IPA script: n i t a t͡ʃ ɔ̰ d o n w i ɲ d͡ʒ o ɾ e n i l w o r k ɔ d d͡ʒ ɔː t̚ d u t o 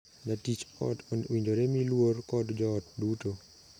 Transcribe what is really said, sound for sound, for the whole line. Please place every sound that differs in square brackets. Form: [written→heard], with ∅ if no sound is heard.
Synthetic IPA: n [i→a] t [a→i] t͡ʃ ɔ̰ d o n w i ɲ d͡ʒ o ɾ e [n→m] i l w o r k ɔ d d͡ʒ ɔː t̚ d u t o